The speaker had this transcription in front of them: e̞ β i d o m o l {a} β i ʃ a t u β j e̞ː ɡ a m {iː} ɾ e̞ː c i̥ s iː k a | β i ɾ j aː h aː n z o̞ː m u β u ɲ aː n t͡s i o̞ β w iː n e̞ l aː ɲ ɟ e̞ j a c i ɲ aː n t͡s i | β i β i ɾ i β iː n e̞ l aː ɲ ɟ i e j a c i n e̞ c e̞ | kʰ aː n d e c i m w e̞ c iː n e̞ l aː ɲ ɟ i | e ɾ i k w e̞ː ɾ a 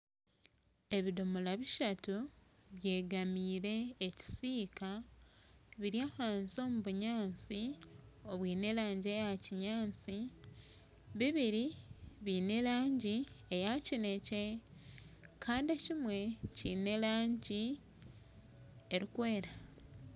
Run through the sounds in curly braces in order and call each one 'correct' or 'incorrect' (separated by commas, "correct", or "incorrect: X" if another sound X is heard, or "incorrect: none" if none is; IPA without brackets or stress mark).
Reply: correct, correct